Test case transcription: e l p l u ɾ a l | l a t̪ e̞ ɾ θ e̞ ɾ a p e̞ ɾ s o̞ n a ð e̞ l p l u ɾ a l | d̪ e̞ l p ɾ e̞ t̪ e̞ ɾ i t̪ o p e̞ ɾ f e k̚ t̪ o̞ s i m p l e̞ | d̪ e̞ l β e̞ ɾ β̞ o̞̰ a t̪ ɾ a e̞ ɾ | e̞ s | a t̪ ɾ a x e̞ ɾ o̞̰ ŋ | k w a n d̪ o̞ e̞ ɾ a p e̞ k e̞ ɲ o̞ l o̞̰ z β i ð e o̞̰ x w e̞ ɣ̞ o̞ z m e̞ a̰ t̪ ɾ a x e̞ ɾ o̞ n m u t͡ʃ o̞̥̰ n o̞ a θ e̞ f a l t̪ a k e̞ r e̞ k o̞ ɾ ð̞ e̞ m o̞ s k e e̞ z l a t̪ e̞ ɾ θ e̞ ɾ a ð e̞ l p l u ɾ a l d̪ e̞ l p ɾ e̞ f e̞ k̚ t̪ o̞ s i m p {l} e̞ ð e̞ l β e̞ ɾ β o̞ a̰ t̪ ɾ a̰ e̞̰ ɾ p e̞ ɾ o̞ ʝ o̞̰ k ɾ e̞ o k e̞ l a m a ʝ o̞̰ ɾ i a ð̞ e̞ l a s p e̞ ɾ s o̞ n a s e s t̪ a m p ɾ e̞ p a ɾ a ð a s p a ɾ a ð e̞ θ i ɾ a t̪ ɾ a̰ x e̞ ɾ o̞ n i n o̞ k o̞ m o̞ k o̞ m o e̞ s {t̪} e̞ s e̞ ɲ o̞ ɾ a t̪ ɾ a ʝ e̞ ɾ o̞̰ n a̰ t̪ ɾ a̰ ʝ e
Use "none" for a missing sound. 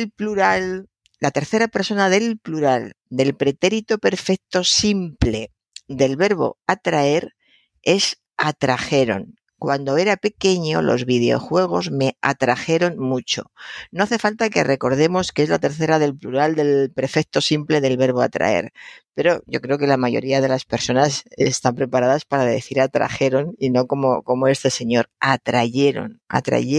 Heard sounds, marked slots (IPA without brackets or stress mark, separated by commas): l, t̪